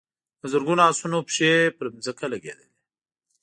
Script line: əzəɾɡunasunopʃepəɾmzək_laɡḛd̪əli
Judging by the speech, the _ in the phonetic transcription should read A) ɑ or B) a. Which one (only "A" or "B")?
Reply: B